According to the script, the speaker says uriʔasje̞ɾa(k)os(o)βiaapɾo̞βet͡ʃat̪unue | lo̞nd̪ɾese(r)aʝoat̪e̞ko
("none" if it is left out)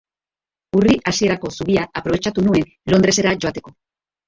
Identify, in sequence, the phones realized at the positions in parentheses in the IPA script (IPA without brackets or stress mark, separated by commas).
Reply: k, u, ɾ